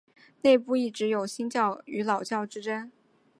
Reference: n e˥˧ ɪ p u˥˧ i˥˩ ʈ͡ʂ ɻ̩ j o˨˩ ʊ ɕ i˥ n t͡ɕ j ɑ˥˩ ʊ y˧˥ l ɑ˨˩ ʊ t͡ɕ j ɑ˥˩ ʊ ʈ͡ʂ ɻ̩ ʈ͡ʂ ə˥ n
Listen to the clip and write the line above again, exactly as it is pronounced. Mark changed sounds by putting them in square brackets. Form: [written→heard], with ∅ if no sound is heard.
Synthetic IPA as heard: n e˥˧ ɪ p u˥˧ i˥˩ ʈ͡ʂ ɻ̩ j o˨˩ ʊ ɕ i˥ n t͡ɕ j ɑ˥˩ ʊ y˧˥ l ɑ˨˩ ʊ t͡ɕ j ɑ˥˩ ʊ ʈ͡ʂ ɻ̩ ʈ͡ʂ ə˥ n